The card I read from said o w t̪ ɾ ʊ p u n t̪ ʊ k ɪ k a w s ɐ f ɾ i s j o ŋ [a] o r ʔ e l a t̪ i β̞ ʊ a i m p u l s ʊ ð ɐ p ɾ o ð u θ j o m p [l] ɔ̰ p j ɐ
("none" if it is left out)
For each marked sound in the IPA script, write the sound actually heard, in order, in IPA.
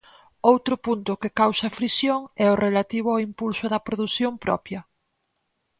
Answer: ɛ, ɾ

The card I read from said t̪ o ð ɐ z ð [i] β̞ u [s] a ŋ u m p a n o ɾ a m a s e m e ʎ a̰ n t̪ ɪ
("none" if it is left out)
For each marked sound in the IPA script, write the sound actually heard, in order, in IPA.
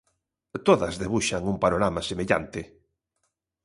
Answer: e, ʃ

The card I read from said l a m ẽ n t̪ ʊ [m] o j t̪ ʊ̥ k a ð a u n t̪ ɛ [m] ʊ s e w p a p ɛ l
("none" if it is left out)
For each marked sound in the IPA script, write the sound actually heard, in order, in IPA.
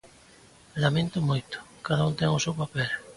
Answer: m, ŋ

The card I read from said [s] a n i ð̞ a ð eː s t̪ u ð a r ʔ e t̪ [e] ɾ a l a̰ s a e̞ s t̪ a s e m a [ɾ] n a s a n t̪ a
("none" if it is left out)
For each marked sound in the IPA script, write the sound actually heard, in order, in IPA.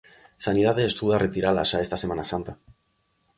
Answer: s, i, none

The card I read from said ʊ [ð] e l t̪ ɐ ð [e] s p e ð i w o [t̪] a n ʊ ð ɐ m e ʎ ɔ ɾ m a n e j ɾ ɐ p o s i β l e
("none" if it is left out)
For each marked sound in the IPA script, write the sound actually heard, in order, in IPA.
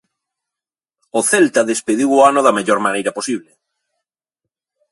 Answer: θ, e, none

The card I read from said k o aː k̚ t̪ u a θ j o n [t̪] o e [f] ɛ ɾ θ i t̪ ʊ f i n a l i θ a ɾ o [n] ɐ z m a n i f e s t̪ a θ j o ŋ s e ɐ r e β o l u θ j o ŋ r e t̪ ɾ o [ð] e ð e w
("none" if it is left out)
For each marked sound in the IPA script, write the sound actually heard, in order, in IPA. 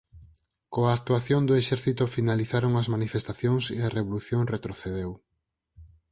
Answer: d̪, ʃ, ŋ, θ

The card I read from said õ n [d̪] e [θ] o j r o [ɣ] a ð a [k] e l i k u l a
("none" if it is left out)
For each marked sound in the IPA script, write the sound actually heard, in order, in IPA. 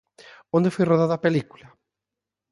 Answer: d̪, f, ð, p

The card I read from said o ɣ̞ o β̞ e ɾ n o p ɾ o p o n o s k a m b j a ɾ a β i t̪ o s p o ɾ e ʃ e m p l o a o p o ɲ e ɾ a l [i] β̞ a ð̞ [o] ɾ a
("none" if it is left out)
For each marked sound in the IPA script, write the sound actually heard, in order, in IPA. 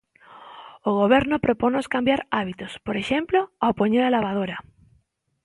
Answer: a, o

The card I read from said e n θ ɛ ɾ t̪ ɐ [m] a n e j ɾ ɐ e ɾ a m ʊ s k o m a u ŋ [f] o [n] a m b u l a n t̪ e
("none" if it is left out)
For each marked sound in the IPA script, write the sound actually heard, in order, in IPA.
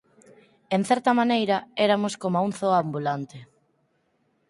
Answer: m, θ, none

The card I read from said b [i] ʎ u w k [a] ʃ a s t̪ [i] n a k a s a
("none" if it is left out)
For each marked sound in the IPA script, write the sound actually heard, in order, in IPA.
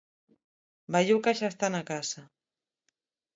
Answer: a, a, a

